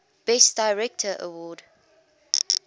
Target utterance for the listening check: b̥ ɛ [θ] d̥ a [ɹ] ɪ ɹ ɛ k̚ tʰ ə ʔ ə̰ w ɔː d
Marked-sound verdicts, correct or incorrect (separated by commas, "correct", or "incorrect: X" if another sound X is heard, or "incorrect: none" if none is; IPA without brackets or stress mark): incorrect: s, incorrect: none